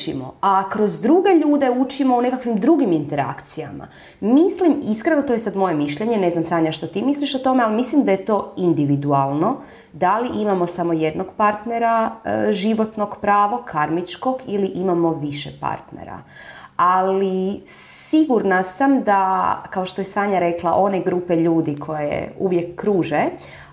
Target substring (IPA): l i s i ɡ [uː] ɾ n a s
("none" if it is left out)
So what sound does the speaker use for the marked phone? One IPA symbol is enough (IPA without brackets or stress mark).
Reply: u